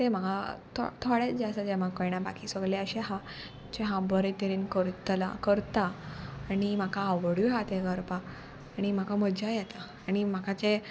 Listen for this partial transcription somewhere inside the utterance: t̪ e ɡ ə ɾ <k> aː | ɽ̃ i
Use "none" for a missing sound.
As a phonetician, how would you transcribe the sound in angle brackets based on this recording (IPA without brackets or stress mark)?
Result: p